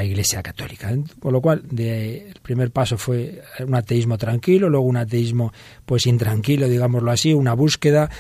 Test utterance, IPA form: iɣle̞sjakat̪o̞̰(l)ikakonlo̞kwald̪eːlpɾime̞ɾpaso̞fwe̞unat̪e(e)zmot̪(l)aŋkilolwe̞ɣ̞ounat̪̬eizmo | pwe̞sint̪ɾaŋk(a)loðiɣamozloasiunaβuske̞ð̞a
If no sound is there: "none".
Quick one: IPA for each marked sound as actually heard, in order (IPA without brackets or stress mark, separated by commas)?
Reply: l, i, ɾ, i